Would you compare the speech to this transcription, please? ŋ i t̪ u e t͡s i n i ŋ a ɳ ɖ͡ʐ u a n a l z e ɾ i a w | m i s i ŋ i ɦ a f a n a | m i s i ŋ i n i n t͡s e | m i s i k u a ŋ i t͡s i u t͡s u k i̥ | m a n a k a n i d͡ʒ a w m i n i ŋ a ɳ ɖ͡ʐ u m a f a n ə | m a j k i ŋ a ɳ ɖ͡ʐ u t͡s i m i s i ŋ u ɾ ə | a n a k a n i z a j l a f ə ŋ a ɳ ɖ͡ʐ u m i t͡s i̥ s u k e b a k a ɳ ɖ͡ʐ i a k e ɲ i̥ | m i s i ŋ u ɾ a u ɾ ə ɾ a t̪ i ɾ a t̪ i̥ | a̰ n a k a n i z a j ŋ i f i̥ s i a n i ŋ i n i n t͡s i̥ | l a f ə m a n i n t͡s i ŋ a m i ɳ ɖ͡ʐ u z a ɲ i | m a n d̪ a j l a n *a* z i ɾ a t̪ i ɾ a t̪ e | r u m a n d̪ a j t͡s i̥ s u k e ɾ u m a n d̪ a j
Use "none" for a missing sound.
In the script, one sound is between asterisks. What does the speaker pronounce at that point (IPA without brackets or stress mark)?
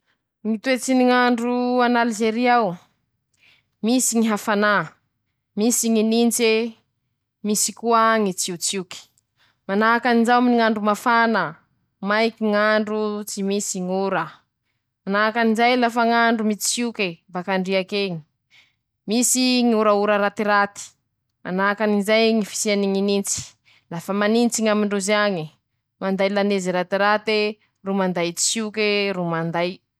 e